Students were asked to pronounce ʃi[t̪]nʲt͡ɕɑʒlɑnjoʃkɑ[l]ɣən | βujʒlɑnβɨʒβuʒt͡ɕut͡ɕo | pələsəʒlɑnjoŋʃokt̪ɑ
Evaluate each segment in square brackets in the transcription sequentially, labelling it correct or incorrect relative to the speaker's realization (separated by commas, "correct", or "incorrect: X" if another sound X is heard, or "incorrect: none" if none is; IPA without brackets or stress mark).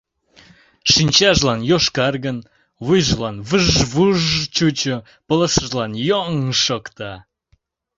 incorrect: none, incorrect: r